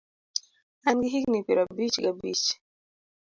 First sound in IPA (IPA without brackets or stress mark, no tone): a